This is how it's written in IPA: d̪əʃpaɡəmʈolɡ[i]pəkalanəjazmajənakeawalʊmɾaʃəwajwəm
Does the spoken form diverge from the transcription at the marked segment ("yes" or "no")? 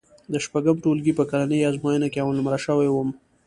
no